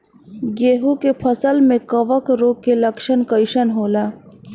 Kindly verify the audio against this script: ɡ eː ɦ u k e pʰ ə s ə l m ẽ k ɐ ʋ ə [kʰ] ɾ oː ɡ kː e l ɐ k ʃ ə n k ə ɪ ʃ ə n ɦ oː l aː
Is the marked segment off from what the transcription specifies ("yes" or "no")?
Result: yes